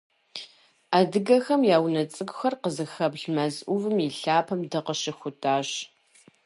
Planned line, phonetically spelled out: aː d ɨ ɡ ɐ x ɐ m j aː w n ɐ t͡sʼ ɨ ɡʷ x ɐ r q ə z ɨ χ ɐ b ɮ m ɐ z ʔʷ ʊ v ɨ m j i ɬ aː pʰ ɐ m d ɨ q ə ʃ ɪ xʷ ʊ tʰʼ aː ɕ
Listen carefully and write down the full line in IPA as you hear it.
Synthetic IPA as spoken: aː d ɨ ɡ ɐ x ɐ m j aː w n ɐ t͡sʼ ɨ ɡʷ x ɐ r q ə z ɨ x ɐ b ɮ m ɐ z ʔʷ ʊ v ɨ m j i ɬ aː pʰ ɐ m d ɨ q ə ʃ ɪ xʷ ʊ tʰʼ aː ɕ